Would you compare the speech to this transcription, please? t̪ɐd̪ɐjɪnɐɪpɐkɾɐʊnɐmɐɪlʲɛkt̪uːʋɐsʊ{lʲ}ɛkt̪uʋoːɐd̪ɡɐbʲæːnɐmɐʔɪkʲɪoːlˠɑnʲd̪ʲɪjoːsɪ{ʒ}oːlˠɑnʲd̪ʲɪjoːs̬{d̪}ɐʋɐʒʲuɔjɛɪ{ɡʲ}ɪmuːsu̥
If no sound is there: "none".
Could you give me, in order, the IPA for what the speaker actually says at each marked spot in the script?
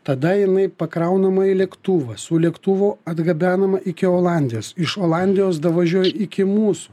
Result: lʲ, ʃ, d̪, kʲ

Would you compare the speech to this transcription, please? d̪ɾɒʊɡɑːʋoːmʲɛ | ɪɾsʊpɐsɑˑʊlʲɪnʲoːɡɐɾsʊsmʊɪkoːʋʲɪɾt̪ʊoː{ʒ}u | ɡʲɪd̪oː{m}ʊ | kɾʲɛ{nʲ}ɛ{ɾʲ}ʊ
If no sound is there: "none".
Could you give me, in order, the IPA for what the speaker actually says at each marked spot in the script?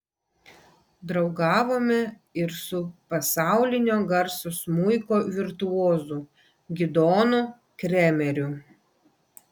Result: z, n, mʲ, ɾʲ

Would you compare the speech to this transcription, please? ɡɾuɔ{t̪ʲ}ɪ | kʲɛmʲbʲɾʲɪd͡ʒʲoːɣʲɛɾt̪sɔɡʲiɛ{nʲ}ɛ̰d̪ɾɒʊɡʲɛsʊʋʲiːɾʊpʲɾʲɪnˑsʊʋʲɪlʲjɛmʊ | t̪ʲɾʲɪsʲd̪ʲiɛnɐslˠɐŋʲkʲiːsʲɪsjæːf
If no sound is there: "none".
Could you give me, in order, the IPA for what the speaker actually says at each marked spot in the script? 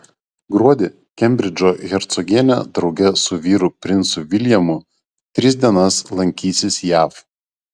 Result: d̪ʲ, nʲ

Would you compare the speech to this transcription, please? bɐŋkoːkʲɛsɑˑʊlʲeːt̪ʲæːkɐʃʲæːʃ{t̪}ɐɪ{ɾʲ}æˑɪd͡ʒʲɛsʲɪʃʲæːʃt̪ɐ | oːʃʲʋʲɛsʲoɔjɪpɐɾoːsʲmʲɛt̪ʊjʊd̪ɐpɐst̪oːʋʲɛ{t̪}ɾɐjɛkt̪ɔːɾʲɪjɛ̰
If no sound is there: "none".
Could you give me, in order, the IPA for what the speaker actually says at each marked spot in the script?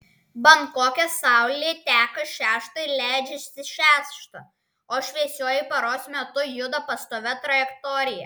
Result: t̪, lʲ, t̪

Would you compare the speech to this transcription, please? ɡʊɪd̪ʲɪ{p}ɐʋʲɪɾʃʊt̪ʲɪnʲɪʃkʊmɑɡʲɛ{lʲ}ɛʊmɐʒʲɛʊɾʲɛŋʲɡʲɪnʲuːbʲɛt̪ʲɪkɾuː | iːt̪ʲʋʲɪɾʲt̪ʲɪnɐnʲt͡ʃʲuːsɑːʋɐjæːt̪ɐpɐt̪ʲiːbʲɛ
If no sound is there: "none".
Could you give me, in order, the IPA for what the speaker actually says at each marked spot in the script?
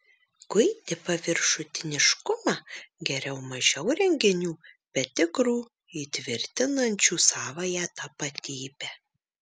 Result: p, ɾʲ

